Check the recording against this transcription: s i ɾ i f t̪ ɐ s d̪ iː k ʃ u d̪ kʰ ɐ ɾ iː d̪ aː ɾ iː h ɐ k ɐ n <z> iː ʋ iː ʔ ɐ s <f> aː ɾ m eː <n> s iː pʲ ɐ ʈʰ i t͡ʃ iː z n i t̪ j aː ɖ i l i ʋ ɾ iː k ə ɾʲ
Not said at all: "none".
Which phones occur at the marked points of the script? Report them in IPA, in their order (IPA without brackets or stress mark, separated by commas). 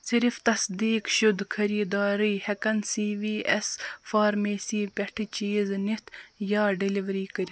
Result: s, f, none